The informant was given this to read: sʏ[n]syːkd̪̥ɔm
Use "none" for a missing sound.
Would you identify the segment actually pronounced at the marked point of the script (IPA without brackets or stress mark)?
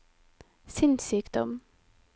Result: n